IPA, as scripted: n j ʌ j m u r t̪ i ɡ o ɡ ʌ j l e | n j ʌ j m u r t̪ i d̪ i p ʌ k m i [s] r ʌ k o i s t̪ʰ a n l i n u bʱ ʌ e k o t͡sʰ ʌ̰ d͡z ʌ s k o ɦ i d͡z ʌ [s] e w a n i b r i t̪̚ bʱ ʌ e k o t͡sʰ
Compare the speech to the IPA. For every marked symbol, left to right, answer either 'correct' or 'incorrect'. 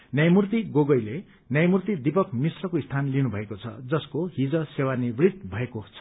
correct, correct

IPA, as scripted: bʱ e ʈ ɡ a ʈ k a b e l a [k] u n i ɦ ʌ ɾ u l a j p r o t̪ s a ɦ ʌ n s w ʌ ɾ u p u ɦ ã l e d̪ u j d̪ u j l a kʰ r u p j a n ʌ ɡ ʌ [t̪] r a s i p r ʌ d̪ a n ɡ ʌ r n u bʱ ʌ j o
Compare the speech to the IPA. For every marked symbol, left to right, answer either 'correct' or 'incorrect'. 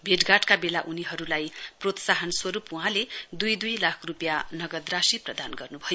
incorrect: ʔ, incorrect: d̪

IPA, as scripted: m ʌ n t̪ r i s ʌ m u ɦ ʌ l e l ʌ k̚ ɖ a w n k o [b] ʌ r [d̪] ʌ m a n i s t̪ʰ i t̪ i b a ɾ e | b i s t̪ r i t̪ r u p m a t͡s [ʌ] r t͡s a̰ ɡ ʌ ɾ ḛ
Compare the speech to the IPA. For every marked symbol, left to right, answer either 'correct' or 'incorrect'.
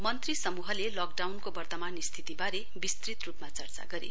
correct, incorrect: t̪, correct

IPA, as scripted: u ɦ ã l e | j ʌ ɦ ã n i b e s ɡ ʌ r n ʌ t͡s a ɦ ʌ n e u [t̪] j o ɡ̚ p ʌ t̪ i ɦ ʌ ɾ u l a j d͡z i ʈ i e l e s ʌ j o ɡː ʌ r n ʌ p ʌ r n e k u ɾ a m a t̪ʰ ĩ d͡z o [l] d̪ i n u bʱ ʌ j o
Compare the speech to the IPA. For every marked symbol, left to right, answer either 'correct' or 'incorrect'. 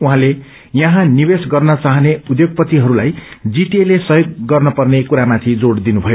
incorrect: d̪, incorrect: ɽ

